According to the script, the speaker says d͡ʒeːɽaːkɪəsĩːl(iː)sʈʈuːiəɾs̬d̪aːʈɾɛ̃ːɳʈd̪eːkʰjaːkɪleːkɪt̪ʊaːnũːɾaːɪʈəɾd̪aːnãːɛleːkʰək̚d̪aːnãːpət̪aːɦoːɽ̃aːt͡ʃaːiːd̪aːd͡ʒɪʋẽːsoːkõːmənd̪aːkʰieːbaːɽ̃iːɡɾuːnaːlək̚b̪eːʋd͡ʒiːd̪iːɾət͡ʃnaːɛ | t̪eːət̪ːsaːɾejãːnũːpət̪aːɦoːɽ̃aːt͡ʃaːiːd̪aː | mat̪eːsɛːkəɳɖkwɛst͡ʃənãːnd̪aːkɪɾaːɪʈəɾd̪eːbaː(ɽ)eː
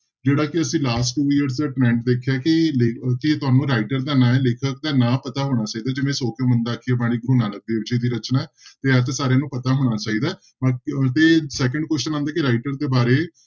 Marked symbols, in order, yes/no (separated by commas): no, no